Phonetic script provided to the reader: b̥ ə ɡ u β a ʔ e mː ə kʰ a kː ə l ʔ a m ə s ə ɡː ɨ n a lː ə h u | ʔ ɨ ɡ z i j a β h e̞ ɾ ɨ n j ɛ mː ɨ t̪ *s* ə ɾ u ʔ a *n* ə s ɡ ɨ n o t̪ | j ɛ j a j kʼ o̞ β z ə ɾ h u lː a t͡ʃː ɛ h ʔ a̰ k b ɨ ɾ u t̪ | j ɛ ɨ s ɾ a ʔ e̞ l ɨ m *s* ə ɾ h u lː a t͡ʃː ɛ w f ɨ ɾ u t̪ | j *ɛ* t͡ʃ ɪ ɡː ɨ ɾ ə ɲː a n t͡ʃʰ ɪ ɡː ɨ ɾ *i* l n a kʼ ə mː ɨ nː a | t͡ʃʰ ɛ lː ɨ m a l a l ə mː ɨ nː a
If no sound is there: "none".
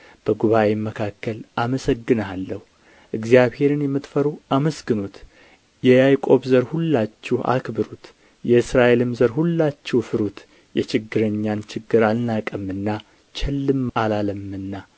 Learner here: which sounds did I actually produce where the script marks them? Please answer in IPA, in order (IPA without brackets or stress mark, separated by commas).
f, m, z, ɛ, a